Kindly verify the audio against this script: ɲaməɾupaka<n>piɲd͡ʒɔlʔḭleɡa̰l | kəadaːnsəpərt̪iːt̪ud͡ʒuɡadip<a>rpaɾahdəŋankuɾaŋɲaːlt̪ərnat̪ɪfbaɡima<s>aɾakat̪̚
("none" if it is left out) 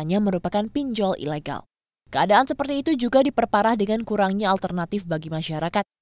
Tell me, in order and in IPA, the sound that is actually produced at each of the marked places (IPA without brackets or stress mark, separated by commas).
n, ə, ʃ